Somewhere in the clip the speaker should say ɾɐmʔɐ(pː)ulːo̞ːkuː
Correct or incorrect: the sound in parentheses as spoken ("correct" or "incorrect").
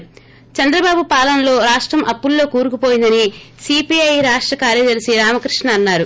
correct